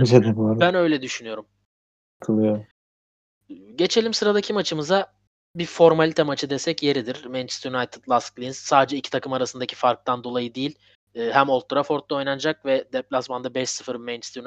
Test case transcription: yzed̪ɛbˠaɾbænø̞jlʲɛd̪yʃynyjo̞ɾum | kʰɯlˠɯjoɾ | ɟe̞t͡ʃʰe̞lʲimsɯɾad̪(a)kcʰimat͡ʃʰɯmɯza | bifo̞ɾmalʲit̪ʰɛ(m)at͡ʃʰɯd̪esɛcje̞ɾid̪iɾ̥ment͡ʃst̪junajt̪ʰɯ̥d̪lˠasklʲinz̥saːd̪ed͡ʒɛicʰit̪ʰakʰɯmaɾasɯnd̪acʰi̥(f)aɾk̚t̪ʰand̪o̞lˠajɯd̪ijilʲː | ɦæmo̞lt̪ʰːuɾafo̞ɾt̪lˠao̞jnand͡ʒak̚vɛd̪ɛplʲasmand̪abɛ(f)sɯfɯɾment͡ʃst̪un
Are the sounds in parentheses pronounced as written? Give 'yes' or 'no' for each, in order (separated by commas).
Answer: yes, yes, yes, no